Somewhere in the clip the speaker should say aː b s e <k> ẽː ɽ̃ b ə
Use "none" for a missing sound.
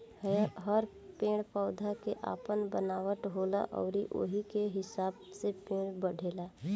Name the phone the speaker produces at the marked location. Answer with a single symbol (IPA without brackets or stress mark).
p